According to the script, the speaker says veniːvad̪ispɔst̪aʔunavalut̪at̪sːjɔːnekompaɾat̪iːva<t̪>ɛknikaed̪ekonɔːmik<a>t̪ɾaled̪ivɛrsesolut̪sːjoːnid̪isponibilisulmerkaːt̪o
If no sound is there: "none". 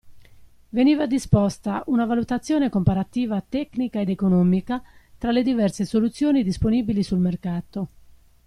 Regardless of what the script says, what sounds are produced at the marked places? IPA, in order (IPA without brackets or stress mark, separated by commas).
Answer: t̪, a